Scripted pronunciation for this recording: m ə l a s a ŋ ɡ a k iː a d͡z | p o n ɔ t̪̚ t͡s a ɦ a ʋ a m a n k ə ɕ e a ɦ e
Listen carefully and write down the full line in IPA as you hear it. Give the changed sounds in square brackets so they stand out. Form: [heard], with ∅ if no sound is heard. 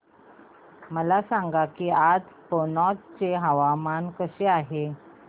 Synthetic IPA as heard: m ə l a s a ŋ ɡ a k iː a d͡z | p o n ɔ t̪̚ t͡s [e] ɦ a ʋ a m a n k ə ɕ e a ɦ e

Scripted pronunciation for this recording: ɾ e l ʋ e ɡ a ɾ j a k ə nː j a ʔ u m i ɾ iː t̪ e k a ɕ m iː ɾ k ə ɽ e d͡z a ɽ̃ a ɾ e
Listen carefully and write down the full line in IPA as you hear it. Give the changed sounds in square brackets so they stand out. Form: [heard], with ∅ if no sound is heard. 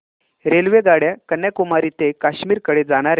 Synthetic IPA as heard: ɾ e l ʋ e ɡ a [ɽ] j a k ə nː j a [k] u m [a] ɾ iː t̪ e k a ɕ m iː ɾ k ə ɽ e d͡z a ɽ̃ a ɾ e

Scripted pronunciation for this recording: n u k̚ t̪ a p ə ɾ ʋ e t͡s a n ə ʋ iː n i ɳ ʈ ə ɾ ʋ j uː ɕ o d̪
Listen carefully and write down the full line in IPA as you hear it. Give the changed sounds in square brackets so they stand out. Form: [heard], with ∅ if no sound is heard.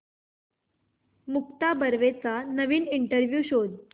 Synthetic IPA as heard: [m] u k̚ t̪ a [b] ə ɾ ʋ e t͡s a n ə ʋ iː n i ɳ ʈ ə ɾ ʋ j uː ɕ o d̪

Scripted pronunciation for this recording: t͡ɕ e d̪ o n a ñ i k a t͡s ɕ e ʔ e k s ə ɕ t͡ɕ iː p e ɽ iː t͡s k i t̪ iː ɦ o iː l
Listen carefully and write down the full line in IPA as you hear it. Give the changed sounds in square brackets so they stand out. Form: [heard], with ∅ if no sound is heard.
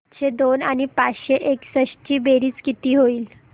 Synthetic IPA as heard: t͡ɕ e d̪ o n a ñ i [p] a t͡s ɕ e ʔ e k s ə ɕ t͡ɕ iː [b] e [ɾ] iː t͡s k i t̪ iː ɦ o iː l

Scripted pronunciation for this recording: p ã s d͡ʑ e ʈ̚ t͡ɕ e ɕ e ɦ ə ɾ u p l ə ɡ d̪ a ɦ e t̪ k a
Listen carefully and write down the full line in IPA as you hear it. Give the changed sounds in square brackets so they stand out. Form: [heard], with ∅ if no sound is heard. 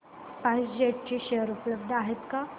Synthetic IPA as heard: p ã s d͡ʑ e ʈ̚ t͡ɕ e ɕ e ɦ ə ɾ u p l ə [b] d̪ a ɦ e t̪ k a

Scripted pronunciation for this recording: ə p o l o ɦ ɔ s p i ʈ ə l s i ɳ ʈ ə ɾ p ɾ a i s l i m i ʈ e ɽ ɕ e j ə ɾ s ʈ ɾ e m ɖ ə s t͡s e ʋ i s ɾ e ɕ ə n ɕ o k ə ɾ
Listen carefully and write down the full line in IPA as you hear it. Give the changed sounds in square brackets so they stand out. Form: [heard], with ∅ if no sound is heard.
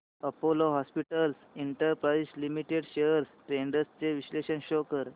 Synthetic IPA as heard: ə p o l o ɦ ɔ s p i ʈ ə l s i ɳ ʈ ə ɾ p ɾ a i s l i m i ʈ e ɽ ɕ e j ə ɾ s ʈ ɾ e [ɳ] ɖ ə s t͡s e ʋ i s [l] e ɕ ə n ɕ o k ə ɾ

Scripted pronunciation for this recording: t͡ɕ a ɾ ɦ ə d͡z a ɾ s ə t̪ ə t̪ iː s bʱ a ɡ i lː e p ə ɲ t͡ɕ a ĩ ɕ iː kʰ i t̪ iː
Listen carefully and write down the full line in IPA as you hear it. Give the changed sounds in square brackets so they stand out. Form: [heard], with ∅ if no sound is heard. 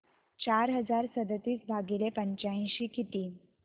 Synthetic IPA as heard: t͡ɕ a ɾ ɦ ə d͡z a ɾ s ə [d̪] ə t̪ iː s bʱ a ɡ i [l] e p ə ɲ t͡ɕ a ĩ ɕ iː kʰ i t̪ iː

